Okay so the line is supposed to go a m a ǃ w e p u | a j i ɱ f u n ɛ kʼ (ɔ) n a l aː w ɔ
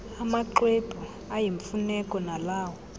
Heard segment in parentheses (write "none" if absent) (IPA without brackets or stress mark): ɔ